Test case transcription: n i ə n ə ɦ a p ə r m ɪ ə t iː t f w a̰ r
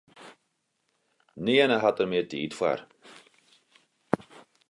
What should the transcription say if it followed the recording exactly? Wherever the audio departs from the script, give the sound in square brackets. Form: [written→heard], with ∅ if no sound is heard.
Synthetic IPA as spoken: n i ə n ə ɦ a [p→t] ə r m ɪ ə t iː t f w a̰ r